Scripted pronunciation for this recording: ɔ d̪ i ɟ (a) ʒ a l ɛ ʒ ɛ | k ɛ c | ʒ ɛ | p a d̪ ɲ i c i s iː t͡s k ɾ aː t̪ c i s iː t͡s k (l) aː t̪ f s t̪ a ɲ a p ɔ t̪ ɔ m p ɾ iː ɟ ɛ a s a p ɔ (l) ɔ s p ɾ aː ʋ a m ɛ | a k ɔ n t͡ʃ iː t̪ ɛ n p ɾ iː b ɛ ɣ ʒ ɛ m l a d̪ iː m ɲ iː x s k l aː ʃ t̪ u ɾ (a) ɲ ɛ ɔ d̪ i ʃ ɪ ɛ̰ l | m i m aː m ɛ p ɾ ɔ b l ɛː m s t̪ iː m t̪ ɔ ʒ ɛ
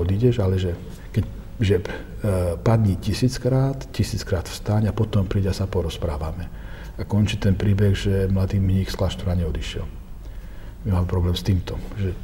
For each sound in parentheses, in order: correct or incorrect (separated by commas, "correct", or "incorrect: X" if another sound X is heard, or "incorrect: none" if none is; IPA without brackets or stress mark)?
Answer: incorrect: ɛ, incorrect: ɾ, incorrect: ɾ, correct